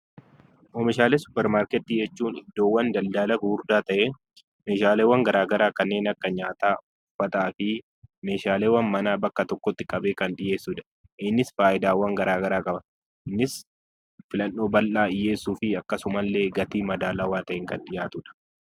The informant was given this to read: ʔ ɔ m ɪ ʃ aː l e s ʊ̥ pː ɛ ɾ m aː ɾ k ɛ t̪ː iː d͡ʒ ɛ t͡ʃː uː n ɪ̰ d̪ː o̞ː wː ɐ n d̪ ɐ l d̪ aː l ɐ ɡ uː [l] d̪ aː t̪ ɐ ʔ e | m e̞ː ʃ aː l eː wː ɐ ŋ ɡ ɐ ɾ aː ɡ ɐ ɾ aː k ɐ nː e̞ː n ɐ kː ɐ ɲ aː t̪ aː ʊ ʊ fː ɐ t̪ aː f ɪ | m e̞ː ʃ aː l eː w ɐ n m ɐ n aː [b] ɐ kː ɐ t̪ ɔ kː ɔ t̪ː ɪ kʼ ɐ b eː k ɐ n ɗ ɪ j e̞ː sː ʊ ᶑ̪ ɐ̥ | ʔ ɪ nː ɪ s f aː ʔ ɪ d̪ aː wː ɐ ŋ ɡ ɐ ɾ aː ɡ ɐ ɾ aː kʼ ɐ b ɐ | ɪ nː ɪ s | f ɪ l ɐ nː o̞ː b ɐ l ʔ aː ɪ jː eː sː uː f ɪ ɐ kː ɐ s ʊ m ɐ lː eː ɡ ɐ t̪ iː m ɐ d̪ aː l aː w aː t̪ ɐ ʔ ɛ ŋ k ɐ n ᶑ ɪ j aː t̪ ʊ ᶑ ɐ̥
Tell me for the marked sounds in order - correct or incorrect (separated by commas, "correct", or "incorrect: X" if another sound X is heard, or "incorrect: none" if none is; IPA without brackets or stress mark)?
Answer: incorrect: ɾ, correct